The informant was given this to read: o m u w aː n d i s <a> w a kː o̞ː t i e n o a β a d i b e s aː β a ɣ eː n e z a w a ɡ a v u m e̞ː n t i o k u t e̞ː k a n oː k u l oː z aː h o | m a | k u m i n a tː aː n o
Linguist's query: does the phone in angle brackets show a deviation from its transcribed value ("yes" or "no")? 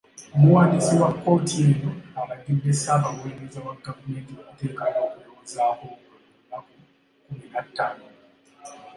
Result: yes